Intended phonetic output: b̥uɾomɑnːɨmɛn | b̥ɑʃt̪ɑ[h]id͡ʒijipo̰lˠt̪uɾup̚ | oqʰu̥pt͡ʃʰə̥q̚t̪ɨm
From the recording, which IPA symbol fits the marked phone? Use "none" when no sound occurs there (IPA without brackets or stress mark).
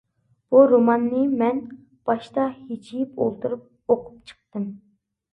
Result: h